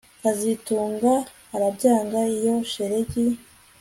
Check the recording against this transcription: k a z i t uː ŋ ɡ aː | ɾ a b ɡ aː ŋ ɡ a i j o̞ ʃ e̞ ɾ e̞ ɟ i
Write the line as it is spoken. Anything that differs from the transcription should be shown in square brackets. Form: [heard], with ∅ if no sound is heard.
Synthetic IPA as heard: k a z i t uː ŋ ɡ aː | ɾ a b [ɟ] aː ŋ ɡ a i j o̞ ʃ e̞ ɾ e̞ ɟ i